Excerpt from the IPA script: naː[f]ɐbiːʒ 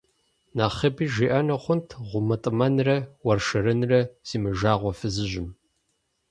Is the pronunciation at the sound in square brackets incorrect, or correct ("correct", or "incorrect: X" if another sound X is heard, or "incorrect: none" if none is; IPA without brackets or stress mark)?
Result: incorrect: χ